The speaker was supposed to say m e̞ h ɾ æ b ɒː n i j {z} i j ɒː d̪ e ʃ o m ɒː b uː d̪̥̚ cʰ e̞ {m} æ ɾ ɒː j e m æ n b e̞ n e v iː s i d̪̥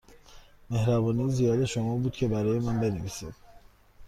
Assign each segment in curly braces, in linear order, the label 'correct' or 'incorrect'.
correct, incorrect

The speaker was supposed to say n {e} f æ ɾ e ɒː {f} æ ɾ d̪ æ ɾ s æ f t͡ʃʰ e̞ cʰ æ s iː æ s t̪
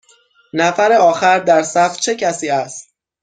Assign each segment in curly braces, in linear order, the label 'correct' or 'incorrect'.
incorrect, incorrect

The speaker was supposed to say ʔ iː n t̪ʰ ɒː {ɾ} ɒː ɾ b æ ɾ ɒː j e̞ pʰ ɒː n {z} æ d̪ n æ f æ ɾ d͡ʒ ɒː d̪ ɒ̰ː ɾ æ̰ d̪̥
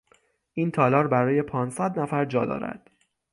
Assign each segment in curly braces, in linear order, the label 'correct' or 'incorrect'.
incorrect, incorrect

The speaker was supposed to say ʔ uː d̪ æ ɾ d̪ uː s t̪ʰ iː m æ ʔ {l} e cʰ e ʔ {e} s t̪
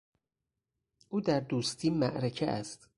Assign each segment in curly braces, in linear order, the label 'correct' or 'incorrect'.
incorrect, incorrect

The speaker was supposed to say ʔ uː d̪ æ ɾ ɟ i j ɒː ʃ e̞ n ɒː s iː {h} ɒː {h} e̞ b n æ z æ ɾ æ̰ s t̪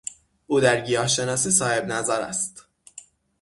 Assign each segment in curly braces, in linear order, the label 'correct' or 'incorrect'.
incorrect, correct

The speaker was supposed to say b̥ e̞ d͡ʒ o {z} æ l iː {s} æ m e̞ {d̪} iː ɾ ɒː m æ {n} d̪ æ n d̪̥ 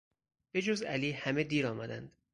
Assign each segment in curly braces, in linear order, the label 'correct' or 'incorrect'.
correct, incorrect, correct, incorrect

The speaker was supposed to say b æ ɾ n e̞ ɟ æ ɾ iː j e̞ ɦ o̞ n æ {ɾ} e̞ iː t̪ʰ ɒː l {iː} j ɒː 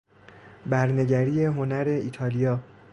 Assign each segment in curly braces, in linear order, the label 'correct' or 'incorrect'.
correct, incorrect

